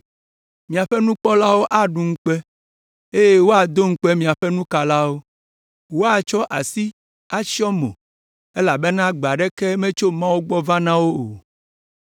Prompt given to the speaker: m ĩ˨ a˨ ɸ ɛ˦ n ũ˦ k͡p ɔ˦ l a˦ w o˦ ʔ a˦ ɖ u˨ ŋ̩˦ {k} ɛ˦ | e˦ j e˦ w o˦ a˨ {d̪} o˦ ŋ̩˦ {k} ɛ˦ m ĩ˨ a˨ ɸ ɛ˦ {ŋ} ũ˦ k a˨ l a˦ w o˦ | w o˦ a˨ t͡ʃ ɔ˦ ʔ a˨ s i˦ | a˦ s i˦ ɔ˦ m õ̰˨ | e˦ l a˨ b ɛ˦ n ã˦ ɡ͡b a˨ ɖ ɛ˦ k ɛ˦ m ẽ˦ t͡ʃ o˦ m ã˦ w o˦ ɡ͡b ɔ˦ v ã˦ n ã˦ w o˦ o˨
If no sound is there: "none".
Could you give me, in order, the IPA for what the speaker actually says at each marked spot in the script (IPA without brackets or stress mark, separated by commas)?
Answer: k͡p, d̪, k͡p, n